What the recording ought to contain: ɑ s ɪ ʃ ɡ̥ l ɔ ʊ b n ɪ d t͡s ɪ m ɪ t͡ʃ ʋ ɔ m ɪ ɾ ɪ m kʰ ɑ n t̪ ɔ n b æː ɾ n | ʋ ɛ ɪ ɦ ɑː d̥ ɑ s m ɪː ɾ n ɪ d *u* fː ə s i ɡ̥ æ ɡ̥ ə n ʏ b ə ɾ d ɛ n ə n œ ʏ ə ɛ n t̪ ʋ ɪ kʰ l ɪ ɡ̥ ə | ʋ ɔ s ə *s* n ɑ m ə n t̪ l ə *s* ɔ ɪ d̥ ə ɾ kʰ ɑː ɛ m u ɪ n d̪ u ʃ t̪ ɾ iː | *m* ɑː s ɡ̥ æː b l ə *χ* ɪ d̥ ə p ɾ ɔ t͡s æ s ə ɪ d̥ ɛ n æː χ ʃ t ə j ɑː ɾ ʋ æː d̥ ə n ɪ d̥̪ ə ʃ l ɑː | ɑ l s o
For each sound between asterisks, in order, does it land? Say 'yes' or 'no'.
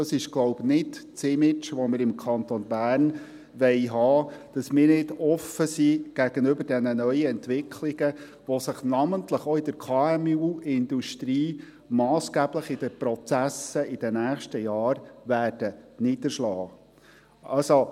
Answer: no, no, no, yes, yes

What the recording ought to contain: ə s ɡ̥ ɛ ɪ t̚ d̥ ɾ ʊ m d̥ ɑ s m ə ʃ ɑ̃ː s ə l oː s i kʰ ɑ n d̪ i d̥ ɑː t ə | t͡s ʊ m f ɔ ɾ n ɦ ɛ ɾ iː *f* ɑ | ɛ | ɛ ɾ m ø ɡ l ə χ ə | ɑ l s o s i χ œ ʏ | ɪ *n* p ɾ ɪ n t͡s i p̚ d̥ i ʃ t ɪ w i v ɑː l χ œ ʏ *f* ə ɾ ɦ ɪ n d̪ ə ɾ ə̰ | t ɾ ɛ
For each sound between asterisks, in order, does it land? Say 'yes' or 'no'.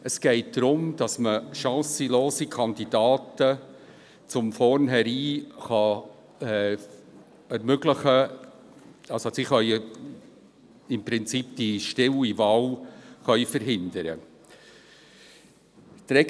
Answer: no, no, yes

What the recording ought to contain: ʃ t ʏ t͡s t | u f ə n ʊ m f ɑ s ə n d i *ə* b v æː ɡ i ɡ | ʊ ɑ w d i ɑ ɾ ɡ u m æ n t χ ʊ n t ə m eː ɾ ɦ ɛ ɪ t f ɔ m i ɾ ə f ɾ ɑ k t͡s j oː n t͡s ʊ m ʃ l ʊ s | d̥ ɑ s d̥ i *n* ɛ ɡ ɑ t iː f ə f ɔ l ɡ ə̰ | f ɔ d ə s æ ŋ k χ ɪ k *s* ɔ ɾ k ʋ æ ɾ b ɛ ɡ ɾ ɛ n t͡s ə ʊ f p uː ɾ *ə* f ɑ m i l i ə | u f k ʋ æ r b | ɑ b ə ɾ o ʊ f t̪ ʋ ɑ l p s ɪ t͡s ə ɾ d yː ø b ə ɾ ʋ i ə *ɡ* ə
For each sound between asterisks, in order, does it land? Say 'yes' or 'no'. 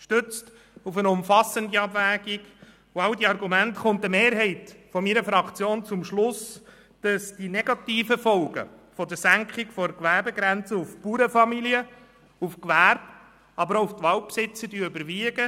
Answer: no, yes, no, yes, yes

